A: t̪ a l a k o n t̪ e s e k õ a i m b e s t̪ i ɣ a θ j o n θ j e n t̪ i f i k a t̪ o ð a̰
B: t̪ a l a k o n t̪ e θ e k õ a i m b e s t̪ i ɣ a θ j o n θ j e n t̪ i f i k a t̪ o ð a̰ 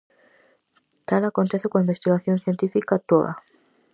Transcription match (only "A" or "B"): B